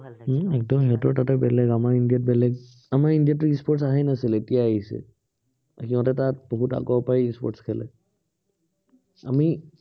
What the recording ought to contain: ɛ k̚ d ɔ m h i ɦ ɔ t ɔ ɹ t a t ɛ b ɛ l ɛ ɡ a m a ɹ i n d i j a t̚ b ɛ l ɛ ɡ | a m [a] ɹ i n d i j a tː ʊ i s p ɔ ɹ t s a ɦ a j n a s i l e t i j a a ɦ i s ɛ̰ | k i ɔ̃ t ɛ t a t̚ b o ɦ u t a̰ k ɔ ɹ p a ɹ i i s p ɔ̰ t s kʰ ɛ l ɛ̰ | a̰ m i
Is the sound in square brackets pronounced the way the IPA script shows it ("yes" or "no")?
yes